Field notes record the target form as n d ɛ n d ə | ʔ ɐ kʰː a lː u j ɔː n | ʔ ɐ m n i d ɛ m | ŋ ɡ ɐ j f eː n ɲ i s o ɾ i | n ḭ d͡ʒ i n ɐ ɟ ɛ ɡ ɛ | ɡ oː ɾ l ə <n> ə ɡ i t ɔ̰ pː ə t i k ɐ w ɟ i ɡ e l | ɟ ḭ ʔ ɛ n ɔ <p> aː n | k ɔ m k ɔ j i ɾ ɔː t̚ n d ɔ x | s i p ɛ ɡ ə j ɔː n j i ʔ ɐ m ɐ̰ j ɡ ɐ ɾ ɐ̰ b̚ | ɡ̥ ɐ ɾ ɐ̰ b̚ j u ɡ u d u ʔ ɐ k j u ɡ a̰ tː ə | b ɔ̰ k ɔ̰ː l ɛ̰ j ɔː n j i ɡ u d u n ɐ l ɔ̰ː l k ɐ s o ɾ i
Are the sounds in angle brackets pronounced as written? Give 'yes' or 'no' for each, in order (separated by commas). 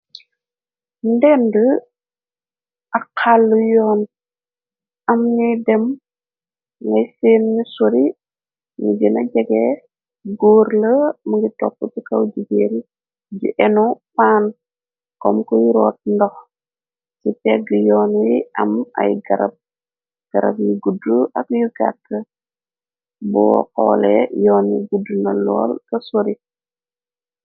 no, yes